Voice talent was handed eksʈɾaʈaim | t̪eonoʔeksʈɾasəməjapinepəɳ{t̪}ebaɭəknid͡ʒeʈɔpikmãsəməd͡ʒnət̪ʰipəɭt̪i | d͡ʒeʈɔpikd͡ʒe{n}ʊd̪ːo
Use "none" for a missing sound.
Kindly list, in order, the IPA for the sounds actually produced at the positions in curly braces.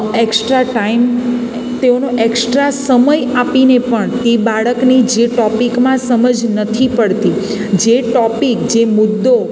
t̪, m

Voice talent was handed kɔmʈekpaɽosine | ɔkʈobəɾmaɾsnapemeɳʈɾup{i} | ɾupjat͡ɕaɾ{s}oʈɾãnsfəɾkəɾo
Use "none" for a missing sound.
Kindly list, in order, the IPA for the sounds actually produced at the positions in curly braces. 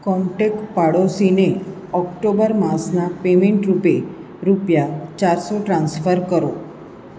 e, s

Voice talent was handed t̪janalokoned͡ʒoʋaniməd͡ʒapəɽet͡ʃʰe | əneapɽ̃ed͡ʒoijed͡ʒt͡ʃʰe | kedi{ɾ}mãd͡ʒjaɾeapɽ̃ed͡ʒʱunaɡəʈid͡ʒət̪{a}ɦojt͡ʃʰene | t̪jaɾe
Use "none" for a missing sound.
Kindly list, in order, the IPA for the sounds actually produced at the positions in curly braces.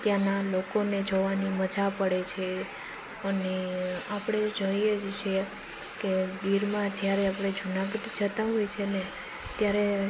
ɾ, a

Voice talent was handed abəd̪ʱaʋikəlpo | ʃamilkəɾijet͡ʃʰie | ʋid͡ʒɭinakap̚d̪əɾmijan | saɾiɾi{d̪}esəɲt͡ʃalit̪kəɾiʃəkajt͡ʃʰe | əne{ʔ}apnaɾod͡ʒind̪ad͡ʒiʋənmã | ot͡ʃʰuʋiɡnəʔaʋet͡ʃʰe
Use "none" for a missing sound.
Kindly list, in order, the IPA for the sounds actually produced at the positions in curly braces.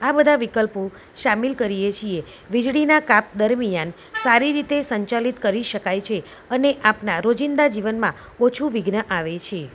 t̪, ʔ

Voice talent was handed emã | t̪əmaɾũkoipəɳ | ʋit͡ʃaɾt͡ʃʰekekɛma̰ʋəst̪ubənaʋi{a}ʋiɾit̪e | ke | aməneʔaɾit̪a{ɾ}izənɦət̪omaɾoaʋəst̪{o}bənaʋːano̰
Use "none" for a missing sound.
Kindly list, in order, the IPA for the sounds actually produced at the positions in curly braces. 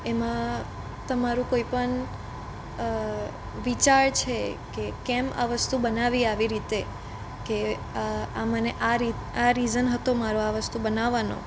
a, ɾ, u

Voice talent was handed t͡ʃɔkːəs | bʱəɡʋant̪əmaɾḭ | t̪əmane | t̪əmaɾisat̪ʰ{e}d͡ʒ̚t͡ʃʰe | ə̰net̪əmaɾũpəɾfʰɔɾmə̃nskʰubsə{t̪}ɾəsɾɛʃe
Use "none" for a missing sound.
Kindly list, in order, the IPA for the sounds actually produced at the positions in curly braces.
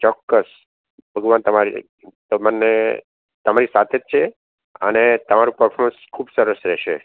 e, none

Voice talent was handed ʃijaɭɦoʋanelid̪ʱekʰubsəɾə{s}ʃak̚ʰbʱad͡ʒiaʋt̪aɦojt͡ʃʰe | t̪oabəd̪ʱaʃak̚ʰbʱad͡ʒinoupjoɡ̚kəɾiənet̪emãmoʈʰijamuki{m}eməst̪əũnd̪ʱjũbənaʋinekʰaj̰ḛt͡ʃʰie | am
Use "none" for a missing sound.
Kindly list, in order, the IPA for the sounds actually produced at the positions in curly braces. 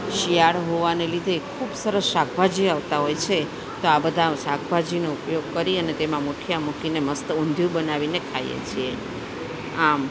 s, n

